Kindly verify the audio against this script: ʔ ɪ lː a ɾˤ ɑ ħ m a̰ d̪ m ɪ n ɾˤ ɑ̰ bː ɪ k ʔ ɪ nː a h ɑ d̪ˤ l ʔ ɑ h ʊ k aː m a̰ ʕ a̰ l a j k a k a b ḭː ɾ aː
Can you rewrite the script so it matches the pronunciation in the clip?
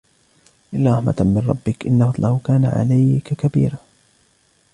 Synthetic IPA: ʔ ɪ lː a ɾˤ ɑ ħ m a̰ t̪ m ɪ n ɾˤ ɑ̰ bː ɪ k ʔ ɪ nː a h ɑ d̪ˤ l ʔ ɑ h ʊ k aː n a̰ ʕ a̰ l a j k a k a b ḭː ɾ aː